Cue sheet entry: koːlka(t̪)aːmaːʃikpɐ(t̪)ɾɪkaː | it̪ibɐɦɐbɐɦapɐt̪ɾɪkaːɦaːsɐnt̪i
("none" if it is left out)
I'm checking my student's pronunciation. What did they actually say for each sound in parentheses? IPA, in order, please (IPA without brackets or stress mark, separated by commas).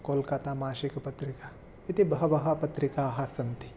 t̪, t̪